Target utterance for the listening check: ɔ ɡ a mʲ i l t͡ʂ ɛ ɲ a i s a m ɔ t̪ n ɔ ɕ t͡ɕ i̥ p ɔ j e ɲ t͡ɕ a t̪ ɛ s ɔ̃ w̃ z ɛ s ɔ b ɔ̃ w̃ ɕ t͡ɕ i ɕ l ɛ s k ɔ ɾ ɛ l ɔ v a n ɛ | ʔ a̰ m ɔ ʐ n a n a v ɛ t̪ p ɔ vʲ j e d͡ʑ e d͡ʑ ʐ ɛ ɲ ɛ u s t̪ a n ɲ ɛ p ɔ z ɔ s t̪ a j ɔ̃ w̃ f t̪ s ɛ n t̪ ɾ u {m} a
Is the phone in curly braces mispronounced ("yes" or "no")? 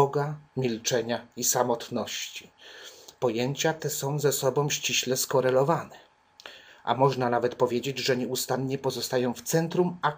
no